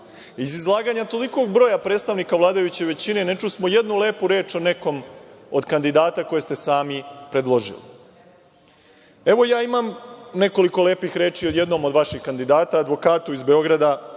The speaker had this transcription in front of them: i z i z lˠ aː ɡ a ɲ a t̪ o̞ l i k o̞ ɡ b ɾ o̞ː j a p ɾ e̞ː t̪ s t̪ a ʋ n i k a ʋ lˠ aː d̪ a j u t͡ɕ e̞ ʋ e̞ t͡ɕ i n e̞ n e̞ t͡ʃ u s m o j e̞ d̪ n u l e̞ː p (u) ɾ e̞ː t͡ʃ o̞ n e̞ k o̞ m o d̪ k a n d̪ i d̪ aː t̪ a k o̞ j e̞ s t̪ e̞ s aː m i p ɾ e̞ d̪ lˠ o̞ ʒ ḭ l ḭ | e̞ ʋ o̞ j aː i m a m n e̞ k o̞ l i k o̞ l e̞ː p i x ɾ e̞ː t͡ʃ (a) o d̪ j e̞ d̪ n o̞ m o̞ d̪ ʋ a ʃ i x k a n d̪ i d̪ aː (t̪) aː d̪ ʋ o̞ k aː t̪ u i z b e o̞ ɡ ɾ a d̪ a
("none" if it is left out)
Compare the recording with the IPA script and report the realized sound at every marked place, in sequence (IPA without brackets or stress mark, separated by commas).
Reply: u, i, t̪